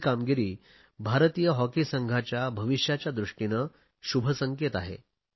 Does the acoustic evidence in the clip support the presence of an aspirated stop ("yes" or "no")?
no